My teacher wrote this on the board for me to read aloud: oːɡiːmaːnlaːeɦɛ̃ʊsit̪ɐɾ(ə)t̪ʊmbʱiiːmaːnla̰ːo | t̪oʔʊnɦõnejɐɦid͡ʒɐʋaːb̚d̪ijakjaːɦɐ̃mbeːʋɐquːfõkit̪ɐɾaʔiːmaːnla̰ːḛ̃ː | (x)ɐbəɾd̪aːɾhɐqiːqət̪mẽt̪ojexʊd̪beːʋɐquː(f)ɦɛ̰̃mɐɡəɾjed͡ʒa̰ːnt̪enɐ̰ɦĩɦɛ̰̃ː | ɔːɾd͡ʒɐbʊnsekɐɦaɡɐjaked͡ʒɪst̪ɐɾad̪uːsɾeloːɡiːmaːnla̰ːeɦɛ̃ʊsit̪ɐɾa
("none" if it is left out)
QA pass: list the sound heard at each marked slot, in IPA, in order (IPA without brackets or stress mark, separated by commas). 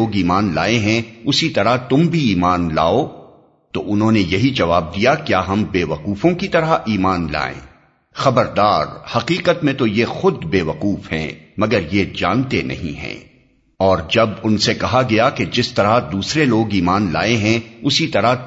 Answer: a, x, f